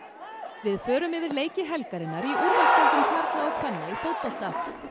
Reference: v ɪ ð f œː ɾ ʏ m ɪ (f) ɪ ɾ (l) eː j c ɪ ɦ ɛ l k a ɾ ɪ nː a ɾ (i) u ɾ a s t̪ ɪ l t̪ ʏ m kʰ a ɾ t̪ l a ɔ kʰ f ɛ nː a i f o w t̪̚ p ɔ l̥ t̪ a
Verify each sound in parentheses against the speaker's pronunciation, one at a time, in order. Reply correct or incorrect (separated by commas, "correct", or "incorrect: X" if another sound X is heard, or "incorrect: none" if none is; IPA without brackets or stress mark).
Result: incorrect: v, correct, correct